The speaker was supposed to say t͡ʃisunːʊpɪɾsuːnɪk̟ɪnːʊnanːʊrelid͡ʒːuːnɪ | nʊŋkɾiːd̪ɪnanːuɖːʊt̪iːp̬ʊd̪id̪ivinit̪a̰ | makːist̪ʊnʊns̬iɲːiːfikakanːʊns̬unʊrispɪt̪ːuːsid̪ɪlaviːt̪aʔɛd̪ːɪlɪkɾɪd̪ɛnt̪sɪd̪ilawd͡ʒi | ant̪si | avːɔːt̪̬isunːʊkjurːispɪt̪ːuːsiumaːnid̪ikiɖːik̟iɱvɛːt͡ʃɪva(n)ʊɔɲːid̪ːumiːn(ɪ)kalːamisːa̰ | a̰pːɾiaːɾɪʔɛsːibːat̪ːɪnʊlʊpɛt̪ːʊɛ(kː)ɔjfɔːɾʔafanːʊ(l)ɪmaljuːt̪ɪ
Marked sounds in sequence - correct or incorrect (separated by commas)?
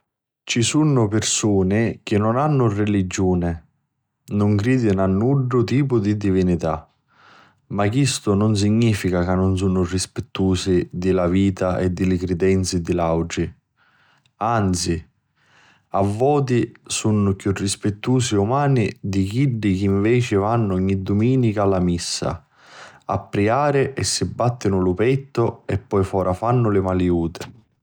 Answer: incorrect, incorrect, incorrect, correct